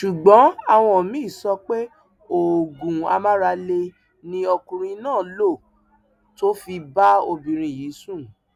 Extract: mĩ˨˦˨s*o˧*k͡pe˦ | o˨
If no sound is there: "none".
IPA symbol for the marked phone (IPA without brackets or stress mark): ɔ˧